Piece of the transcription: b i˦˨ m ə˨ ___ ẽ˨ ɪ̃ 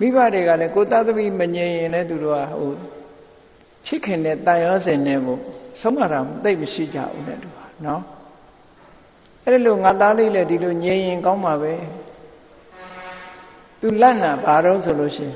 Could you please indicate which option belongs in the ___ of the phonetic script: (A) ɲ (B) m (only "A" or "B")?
A